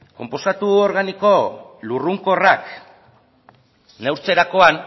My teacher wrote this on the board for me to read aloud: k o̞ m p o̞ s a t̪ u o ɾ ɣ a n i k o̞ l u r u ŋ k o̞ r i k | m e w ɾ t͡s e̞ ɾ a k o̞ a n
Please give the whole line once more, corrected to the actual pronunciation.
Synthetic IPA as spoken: k o̞ m p o̞ s a t̪ u o ɾ ɣ a n i k o̞ l u r u ŋ k o̞ r a k | n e w ɾ t͡s e̞ ɾ a k o̞ a n